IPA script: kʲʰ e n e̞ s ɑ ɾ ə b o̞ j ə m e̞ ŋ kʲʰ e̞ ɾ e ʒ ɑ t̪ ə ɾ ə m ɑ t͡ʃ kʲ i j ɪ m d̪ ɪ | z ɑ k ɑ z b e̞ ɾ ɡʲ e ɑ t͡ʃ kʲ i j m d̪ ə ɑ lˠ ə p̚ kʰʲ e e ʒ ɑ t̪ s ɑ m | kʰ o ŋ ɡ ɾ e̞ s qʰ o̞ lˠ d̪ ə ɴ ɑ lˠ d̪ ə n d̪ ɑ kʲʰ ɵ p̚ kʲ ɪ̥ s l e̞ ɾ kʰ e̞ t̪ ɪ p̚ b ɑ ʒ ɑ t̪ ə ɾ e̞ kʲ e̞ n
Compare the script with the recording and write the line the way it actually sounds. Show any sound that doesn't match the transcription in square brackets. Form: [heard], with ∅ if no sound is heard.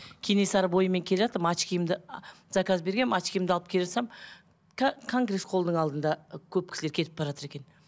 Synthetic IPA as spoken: kʲʰ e n e̞ s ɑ ɾ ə b o̞ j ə m e̞ ŋ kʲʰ e̞ [l] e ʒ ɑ t̪ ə ɾ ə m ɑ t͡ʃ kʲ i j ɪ m d̪ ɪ | z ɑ k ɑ z b e̞ ɾ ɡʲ e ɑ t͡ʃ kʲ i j m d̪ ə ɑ lˠ ə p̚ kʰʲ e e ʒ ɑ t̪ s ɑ m | kʰ o ŋ ɡ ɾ e̞ s qʰ o̞ lˠ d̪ ə ɴ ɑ lˠ d̪ ə n d̪ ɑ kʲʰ ɵ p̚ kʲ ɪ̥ s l e̞ ɾ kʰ e̞ t̪ ɪ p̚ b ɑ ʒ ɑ t̪ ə ɾ e̞ kʲ e̞ n